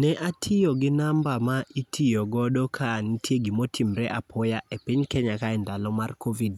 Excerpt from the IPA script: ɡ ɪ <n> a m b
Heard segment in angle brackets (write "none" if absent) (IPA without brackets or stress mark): n